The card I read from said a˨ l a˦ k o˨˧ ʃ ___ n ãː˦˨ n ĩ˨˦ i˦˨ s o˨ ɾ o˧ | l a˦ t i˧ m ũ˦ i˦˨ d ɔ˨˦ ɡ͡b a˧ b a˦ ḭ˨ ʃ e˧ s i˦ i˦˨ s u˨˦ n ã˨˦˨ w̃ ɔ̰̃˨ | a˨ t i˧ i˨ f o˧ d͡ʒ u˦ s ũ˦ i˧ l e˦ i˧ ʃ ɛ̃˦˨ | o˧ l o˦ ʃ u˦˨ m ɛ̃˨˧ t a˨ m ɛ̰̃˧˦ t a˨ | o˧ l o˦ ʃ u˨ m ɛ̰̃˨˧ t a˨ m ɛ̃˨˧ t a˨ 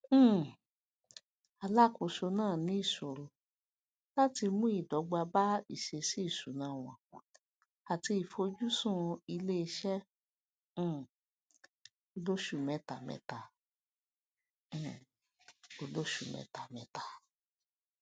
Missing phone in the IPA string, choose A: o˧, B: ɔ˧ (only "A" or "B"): A